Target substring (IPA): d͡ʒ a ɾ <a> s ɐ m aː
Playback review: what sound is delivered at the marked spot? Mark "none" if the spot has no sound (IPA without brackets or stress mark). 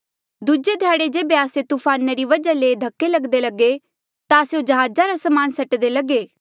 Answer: a